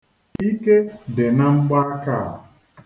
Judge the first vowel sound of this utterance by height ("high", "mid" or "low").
high